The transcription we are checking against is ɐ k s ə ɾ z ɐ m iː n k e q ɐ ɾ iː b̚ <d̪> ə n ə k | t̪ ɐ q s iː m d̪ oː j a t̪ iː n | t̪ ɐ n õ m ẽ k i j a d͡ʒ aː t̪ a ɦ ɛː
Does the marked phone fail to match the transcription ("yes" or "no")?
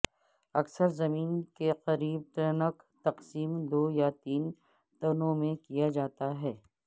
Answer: yes